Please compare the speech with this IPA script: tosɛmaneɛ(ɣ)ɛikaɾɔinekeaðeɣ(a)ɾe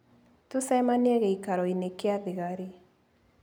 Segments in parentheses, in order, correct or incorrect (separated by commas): correct, correct